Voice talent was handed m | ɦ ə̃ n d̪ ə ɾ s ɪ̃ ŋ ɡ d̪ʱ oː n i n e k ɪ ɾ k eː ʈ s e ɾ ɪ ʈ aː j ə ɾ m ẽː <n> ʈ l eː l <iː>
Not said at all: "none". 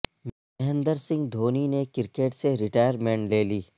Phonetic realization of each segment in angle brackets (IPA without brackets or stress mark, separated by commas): ɳ, iː